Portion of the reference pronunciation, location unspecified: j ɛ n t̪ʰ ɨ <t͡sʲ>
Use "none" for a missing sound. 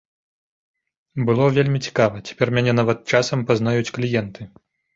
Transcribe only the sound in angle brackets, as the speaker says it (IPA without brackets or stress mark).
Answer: none